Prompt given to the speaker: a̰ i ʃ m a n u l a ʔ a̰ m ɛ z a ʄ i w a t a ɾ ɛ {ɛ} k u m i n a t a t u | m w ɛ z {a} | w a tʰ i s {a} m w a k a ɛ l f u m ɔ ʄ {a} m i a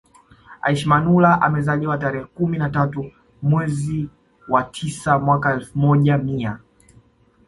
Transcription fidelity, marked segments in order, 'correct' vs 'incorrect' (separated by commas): correct, incorrect, correct, correct